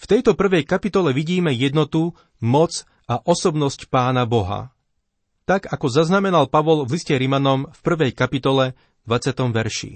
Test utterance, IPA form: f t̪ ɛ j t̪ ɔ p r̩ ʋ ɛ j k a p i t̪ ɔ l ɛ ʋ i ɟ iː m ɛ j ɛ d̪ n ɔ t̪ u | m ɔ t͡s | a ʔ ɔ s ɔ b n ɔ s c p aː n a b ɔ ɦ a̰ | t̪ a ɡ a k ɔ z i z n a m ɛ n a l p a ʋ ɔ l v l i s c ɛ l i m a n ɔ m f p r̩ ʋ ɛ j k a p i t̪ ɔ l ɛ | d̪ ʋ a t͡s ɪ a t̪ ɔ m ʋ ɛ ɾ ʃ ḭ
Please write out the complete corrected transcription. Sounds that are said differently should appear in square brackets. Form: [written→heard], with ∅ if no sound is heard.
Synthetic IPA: f t̪ ɛ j t̪ ɔ p r̩ ʋ ɛ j k a p i t̪ ɔ l ɛ ʋ i ɟ iː m ɛ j ɛ d̪ n ɔ t̪ u | m ɔ t͡s | a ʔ ɔ s ɔ b n ɔ s c p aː n a b ɔ ɦ a̰ | t̪ a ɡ a k ɔ z [i→a] z n a m ɛ n a l p a ʋ ɔ l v l i s c ɛ [l→ɾ] i m a n ɔ m f p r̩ ʋ ɛ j k a p i t̪ ɔ l ɛ | d̪ ʋ a t͡s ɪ a t̪ ɔ m ʋ ɛ ɾ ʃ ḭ